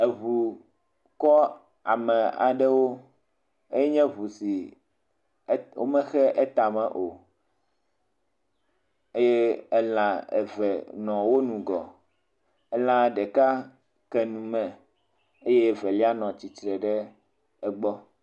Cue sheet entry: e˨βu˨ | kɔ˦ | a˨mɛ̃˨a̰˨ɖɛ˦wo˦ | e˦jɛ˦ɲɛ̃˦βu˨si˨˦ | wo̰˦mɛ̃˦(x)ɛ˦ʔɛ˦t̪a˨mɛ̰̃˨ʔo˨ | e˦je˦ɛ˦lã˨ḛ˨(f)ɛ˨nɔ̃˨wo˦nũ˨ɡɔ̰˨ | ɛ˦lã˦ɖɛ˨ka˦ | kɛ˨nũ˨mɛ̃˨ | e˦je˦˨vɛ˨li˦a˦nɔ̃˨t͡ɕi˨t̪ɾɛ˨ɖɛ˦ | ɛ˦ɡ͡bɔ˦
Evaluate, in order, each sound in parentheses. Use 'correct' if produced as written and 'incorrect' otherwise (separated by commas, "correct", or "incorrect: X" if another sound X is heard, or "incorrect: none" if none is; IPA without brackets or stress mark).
correct, incorrect: v